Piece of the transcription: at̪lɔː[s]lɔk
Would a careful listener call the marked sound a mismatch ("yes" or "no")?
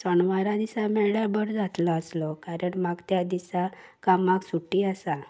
no